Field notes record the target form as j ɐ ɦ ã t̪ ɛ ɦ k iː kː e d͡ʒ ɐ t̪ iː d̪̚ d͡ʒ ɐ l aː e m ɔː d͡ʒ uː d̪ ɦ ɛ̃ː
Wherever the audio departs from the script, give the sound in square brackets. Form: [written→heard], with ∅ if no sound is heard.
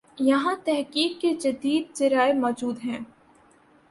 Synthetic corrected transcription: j ɐ ɦ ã t̪ ɛ ɦ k iː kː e d͡ʒ ɐ [t̪→d̪] iː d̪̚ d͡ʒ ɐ [l→ɾ] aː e m ɔː d͡ʒ uː d̪ ɦ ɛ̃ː